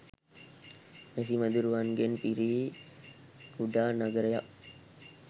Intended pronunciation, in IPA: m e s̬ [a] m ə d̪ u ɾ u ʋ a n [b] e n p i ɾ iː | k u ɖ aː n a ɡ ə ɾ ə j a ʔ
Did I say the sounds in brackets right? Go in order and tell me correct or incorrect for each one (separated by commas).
incorrect, incorrect